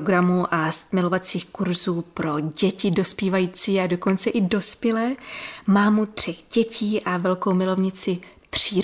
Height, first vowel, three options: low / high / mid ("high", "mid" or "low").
low